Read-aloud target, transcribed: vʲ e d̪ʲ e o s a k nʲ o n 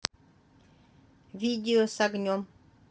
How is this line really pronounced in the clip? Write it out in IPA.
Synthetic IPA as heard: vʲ i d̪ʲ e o s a ɡ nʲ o m